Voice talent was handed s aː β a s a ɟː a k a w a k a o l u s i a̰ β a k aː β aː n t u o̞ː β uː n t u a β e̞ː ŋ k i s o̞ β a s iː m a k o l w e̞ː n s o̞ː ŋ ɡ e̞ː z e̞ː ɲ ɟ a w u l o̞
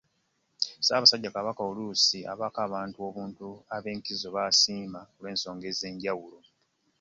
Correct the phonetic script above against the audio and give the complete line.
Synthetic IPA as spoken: s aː β a s a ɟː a k a β a k a o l u s i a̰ β a k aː β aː n t u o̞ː β uː n t u a β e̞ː ŋ k i z o̞ β a s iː m a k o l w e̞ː n s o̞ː ŋ ɡ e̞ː z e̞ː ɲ ɟ a w u l o̞

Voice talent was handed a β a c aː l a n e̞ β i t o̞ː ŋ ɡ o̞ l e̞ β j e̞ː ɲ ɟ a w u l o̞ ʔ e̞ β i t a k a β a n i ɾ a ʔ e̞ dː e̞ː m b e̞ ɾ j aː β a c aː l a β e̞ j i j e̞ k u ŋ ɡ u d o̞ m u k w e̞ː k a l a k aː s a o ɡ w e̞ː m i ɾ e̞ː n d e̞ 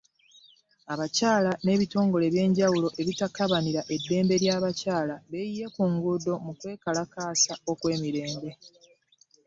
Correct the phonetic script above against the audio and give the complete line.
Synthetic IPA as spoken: a β a c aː l a n e̞ β i t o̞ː ŋ ɡ o̞ l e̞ β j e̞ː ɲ ɟ a w u l o̞ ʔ e̞ β i t a k a β a n i ɾ a ʔ e̞ dː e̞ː m b e̞ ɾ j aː β a c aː l a β e̞ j i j e̞ k u ŋ ɡ u d o̞ m u k w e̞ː k a l a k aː s a o k w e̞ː m i ɾ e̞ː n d e̞

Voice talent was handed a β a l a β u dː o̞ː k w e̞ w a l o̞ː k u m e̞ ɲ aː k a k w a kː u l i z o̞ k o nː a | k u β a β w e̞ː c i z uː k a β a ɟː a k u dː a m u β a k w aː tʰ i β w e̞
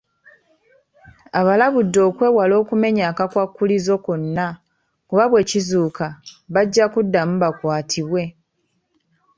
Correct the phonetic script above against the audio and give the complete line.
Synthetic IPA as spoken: a β a l a β u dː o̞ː k w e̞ w a l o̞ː k u m e̞ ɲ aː k a k w a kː u l i z o̞ k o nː a | k u β a β w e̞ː c i z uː k a β a ɟː a k u dː a m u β a k w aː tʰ i β w e̞

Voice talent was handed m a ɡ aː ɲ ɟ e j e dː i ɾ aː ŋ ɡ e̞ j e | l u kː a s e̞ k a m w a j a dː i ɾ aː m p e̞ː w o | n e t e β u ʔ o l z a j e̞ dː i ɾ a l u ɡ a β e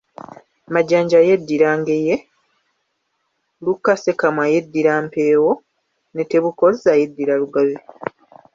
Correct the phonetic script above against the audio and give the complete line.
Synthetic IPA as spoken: m a ɟ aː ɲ ɟ a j e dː i ɾ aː ŋ ɡ e̞ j e | l u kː a s e̞ k a m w a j e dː i ɾ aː m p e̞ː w o | n e t e β u k o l z a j e̞ dː i ɾ a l u ɡ a β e

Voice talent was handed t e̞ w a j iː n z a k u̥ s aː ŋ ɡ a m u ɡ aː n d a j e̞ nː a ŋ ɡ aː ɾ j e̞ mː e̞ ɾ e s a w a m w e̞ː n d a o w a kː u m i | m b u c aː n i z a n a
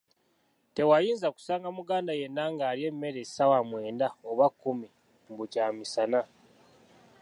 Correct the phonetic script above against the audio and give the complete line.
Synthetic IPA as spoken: t e̞ w a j iː n z a k u̥ s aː ŋ ɡ a m u ɡ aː n d a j e̞ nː a ŋ ɡ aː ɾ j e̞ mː e̞ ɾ e s a w a m w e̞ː n d a o β a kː u m i | m b u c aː m i s a n a

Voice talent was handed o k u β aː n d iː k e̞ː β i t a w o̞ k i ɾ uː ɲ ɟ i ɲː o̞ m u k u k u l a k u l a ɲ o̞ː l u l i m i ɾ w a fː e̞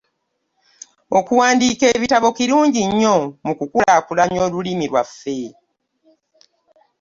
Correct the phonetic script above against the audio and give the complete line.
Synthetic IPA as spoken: o k u w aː n d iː k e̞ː β i t a β o̞ k i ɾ uː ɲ ɟ i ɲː o̞ m u k u k u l a k u l a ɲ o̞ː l u l i m i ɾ w a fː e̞

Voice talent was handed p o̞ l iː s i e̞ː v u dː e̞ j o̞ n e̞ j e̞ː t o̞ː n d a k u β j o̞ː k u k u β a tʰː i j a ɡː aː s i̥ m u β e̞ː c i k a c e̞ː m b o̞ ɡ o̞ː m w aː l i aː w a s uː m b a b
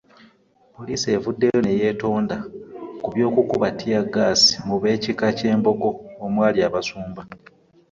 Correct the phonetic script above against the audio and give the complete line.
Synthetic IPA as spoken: p o̞ l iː s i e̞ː v u dː e̞ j o̞ n e̞ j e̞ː t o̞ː n d a k u β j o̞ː k u k u β a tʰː i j a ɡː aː s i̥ m u β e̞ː c i k a c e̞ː m b o̞ ɡ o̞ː m w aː l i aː β a s uː m b a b

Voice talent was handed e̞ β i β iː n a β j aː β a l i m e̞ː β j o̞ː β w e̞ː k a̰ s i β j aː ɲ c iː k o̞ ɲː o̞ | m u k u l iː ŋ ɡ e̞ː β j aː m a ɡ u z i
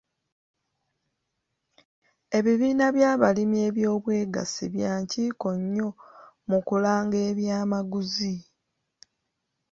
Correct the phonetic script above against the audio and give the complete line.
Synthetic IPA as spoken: e̞ β i β iː n a β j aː β a l i m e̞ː β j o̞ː β w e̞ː ɡ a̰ s i β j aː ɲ c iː k o̞ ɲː o̞ | m u k u l aː ŋ ɡ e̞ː β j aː m a ɡ u z i

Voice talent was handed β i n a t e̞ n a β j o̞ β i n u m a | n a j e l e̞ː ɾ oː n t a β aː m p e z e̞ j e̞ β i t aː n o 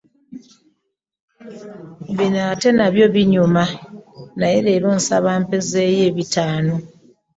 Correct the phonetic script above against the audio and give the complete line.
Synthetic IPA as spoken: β i n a t e̞ n a β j o̞ β i ɲ u m a | n a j e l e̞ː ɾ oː n s a β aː m p e z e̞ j e̞ β i t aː n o

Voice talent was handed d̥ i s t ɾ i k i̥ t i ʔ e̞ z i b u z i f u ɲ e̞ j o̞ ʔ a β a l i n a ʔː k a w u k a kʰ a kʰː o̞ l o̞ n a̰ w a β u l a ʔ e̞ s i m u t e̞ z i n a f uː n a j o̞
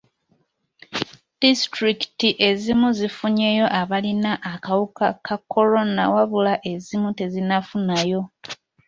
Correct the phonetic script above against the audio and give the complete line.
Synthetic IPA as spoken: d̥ i s t ɾ i k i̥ t i ʔ e̞ z i m u z i f u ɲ e̞ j o̞ ʔ a β a l i n a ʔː k a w u k a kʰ a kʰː o̞ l o̞ n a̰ w a β u l a ʔ e̞ z i m u t e̞ z i n a f u n a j o̞

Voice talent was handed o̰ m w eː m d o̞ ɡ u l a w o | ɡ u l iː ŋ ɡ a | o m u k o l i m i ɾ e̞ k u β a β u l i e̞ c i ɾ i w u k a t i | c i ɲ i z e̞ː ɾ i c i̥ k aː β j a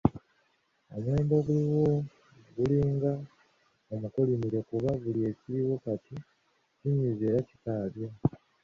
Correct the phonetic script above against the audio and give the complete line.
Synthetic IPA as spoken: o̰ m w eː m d o̞ ɡ u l i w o | ɡ u l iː ŋ ɡ a | o m u k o l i m i ɾ e̞ k u β a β u l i e̞ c i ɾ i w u k a t i | c i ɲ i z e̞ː ɾ a c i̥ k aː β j a

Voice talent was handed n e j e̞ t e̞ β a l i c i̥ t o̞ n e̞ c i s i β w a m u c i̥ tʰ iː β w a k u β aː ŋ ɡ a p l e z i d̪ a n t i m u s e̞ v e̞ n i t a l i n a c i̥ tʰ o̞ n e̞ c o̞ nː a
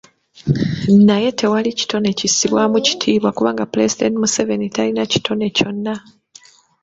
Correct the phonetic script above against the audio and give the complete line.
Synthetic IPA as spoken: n a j e̞ t e̞ w a l i c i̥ t o̞ n e̞ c i s i β w a m u c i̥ tʰ iː β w a k u β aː ŋ ɡ a p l e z i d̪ e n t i m u s e̞ v e̞ n i t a l i n a c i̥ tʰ o̞ n e̞ c o̞ nː a

